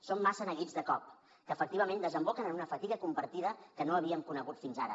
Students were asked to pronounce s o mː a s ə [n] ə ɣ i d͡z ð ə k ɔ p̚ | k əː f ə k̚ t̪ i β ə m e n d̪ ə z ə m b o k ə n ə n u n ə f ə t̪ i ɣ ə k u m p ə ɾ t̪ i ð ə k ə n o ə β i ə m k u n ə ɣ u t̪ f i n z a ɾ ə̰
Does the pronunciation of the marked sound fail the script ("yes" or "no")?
no